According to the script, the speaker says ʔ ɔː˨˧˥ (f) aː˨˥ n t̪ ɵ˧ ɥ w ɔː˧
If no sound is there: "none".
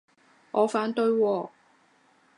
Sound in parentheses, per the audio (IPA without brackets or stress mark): f